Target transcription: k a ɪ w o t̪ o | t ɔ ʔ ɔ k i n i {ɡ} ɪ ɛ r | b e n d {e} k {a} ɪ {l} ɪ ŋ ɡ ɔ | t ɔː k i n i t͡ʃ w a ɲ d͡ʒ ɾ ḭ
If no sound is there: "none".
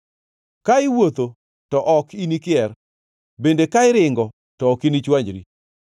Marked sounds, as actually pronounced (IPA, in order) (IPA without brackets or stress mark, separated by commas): k, e, a, ɾ